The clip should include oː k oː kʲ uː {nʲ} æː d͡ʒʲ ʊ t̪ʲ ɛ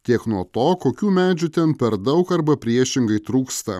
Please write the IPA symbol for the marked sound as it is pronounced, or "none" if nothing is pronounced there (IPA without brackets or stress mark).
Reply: mʲ